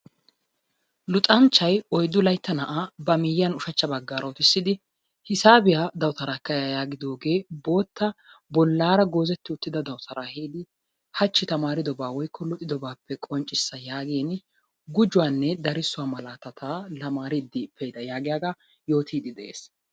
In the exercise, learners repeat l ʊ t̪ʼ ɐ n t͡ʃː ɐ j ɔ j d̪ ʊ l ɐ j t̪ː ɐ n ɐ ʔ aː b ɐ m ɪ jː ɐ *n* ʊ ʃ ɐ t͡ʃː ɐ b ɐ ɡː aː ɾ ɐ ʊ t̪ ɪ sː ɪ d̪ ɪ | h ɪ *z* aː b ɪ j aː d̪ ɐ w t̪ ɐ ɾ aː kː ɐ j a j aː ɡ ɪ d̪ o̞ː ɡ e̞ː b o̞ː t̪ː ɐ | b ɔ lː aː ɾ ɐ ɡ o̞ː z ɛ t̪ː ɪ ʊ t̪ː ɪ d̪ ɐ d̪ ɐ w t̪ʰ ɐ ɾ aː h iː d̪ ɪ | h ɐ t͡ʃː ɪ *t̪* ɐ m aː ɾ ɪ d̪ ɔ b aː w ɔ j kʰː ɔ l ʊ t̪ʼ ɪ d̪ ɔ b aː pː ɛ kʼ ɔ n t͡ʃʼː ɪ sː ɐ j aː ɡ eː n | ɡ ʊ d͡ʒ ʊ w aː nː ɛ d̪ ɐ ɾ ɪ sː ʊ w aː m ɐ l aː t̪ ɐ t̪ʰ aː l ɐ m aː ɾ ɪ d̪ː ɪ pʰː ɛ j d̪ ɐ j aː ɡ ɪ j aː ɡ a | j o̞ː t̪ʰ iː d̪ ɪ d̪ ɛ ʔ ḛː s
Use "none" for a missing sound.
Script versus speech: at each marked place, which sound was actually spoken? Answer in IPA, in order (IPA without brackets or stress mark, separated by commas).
n, s, t̪